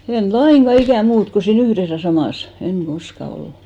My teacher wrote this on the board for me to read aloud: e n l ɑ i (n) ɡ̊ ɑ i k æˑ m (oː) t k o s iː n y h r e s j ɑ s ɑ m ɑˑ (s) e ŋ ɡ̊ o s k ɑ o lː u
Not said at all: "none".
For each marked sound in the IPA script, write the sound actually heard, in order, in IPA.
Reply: ŋ, uː, s

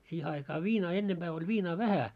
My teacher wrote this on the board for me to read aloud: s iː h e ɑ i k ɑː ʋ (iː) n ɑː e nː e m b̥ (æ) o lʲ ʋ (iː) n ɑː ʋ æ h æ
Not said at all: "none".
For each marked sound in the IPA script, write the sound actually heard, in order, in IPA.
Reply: iː, æː, iː

